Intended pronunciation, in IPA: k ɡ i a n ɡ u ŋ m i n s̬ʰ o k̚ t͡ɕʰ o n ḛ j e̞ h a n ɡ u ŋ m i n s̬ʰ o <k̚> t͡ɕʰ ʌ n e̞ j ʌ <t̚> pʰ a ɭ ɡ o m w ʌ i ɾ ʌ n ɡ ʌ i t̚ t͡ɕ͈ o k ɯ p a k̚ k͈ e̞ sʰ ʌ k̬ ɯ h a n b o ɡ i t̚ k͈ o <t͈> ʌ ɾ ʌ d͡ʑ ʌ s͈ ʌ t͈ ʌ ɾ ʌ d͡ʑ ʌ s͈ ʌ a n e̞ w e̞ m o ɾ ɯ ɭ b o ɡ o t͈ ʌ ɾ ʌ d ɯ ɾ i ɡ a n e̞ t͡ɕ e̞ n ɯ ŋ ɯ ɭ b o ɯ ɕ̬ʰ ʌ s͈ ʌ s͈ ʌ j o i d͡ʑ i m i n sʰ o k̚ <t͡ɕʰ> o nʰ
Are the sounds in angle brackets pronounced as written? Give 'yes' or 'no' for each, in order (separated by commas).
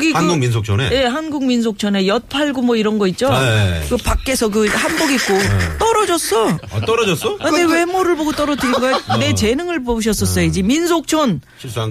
yes, yes, yes, yes